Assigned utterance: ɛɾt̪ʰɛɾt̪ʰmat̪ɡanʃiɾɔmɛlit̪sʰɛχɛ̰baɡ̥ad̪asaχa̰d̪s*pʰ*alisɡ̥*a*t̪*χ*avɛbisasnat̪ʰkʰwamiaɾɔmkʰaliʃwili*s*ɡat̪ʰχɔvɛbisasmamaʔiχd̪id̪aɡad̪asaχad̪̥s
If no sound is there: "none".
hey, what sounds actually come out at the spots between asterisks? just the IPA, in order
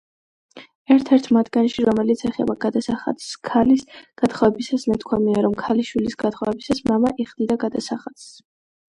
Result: kʰ, a, χ, s

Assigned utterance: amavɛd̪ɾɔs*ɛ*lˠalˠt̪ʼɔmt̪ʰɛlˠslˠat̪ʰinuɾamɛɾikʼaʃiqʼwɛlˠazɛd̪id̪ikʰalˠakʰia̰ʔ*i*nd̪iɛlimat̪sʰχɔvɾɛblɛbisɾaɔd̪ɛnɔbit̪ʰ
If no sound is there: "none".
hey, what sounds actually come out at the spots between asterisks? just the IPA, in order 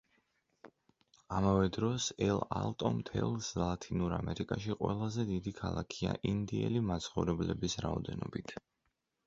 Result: ɛ, i

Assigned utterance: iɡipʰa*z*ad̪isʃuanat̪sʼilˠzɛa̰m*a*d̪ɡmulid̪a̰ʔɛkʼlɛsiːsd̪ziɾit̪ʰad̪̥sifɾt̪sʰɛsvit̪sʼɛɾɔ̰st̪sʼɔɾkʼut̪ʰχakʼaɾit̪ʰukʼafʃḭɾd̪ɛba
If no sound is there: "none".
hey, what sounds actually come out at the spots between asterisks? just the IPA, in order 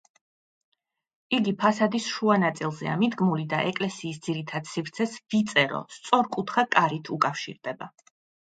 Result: s, i

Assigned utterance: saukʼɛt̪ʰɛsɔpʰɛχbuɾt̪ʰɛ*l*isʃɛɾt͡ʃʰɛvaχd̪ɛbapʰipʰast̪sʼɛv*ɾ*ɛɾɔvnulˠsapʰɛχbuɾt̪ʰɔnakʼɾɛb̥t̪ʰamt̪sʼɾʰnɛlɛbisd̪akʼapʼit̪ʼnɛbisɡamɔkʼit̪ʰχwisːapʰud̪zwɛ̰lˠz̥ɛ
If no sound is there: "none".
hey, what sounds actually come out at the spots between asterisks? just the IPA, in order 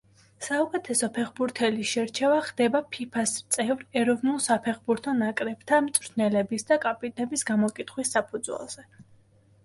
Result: l, ɾ

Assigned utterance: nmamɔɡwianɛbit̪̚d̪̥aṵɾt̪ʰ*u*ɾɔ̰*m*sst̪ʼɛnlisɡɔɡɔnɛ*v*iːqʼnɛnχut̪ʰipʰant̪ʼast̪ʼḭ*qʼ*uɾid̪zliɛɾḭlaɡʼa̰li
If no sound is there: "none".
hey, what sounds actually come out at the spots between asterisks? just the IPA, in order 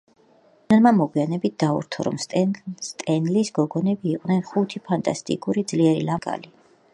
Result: ɔ, m, b, kʼ

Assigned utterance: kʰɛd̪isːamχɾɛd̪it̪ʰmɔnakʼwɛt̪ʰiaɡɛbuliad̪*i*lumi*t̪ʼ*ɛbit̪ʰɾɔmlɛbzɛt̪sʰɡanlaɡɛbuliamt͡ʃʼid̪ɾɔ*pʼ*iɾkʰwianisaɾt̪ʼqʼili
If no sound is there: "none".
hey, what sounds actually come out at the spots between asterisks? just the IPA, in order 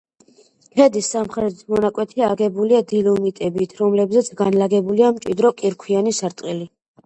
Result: i, t̪ʼ, kʼ

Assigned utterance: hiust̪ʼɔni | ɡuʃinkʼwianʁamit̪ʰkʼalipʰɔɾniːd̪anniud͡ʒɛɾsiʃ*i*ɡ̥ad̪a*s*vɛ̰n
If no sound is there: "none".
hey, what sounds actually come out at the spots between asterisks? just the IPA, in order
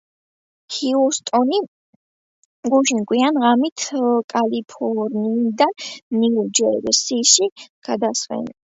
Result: i, s

